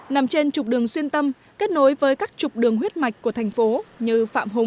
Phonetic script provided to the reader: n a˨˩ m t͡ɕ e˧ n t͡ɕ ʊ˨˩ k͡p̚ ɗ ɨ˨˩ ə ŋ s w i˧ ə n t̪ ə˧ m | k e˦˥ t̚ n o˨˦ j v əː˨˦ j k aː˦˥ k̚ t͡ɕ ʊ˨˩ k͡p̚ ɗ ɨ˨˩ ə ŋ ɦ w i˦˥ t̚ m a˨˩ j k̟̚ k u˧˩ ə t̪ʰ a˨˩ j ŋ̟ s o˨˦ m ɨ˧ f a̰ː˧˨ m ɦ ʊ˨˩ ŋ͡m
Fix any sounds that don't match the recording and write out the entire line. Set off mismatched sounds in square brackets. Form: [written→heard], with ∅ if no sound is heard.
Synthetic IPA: n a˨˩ m t͡ɕ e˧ n t͡ɕ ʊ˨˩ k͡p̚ ɗ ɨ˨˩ ə ŋ s w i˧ ə n t̪ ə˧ m | k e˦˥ t̚ n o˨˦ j v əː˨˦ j k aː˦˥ k̚ t͡ɕ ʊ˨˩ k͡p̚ ɗ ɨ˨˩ ə ŋ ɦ w i˦˥ t̚ m a˨˩ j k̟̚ k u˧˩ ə t̪ʰ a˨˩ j ŋ̟ [s→f] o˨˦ [m→ɲ] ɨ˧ f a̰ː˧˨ m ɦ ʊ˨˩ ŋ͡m